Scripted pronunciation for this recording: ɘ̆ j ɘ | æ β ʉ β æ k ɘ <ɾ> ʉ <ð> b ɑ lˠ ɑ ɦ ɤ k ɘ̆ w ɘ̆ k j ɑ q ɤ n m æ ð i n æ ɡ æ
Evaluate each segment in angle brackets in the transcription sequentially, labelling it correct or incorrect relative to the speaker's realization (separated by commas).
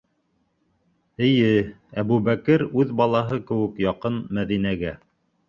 correct, correct